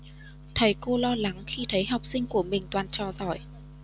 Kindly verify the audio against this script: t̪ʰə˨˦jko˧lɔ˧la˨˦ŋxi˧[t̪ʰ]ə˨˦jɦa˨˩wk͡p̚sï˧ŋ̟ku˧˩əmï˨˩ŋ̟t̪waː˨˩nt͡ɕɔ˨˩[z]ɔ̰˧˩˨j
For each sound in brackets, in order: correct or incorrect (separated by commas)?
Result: correct, correct